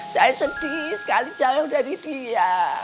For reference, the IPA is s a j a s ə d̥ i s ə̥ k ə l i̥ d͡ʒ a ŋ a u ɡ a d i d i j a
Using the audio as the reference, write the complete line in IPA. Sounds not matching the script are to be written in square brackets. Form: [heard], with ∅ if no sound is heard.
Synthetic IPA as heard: s a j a s ə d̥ i s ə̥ k [a] l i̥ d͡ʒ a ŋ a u [d] a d i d i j a